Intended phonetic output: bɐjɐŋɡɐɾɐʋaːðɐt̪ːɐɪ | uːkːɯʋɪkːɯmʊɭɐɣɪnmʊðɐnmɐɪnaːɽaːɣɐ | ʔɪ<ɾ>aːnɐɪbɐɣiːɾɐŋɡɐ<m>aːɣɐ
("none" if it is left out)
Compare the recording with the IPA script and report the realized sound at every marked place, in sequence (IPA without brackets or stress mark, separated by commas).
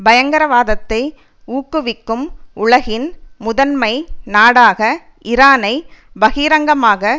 ɾ, m